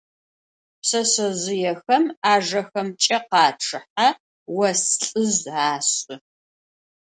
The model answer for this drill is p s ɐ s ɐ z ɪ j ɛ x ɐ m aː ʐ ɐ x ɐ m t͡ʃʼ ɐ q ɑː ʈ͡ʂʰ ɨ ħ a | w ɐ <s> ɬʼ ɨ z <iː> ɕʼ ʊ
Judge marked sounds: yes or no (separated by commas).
yes, no